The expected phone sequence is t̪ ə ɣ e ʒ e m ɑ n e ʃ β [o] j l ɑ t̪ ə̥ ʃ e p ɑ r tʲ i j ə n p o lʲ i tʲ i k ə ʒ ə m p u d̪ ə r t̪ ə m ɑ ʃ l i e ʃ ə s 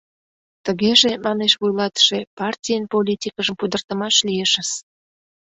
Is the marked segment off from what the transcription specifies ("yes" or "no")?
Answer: yes